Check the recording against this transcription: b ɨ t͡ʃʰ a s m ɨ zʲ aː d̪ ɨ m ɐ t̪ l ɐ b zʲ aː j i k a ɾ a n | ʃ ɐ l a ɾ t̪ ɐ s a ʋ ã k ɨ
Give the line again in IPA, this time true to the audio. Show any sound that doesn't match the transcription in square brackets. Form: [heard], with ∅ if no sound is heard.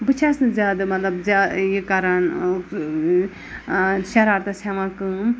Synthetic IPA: b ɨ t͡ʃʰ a s [n] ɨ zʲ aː d̪ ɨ m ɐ t̪ l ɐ b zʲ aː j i k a ɾ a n | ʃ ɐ [ɾ] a ɾ t̪ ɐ s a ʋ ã k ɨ